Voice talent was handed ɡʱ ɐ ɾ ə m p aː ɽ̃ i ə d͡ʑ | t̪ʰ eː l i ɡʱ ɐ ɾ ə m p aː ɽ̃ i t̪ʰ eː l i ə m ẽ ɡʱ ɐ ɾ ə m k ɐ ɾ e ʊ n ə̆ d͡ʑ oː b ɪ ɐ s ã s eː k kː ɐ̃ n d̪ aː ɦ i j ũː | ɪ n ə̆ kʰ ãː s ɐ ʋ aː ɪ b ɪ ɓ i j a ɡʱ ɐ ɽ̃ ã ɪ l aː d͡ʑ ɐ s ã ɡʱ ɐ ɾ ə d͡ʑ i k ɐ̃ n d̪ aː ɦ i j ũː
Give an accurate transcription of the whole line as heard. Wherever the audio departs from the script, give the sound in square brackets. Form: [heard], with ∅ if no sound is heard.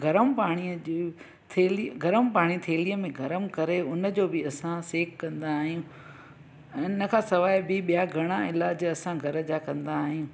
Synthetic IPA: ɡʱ ɐ ɾ ə m p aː ɽ̃ i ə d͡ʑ | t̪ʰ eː l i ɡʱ ɐ ɾ ə m p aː ɽ̃ i t̪ʰ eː l i ə m ẽ ɡʱ ɐ ɾ ə m k ɐ ɾ e ʊ n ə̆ d͡ʑ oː b ɪ ɐ s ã s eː k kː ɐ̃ n d̪ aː ɦ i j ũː | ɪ n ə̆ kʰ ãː s ɐ ʋ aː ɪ b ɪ ɓ i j a ɡʱ ɐ ɽ̃ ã ɪ l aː d͡ʑ ɐ s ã ɡʱ ɐ ɾ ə d͡ʑ [a] k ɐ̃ n d̪ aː ɦ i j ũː